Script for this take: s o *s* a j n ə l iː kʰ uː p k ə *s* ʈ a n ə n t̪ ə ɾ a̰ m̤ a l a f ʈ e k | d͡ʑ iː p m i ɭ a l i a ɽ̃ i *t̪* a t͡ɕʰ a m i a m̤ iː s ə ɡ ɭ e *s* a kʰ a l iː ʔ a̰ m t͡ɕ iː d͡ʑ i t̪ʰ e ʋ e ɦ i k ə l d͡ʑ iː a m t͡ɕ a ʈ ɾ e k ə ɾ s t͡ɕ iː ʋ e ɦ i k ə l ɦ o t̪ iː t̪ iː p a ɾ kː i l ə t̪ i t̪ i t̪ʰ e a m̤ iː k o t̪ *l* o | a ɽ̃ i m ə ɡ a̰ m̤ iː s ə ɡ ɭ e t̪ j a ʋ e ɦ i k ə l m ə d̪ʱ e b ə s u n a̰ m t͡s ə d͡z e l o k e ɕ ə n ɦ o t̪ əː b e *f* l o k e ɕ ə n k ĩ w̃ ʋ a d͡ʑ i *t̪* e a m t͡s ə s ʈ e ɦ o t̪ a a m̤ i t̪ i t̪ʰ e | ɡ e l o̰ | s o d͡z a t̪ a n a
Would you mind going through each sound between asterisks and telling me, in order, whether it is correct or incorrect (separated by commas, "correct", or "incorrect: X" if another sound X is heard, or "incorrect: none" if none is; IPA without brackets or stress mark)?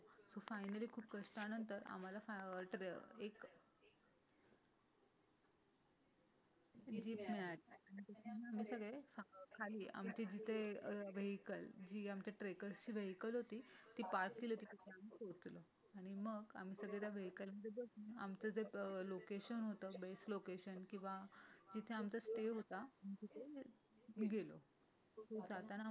incorrect: f, incorrect: ʂ, correct, incorrect: f, correct, incorrect: s, incorrect: t̪ʰ